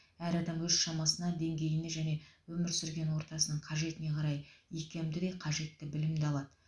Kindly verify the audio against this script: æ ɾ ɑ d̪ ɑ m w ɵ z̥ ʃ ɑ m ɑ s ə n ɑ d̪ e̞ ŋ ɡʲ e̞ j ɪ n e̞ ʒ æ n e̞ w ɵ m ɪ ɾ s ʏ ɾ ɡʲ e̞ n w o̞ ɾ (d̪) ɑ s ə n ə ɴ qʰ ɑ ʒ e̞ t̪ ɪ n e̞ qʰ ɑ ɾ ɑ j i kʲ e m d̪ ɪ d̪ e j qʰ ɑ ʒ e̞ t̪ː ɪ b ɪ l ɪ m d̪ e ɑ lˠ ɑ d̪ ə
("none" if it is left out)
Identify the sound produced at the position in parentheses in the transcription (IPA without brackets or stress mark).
t̪